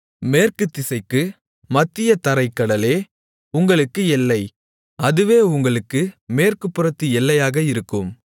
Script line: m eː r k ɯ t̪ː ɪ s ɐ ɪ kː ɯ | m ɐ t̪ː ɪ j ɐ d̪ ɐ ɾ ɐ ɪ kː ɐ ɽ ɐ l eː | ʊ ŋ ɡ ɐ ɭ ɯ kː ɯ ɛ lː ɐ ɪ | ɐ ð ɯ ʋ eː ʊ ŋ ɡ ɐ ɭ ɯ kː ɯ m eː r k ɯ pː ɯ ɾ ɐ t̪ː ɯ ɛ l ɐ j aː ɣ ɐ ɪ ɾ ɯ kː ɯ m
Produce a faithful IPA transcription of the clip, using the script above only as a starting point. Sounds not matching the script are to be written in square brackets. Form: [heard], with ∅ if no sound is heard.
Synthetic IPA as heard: m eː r k ɯ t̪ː ɪ s ɐ ɪ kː ɯ | m ɐ t̪ː ɪ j ɐ [t̪] ɐ ɾ ɐ ɪ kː ɐ ɽ ɐ l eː | ʊ ŋ ɡ ɐ ɭ ɯ kː ɯ ɛ lː ɐ ɪ | ɐ ð ɯ ʋ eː ʊ ŋ ɡ ɐ ɭ ɯ kː ɯ m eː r k ɯ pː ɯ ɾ ɐ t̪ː ɯ ɛ [lː] ɐ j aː ɣ ɐ ɪ ɾ ɯ kː ɯ m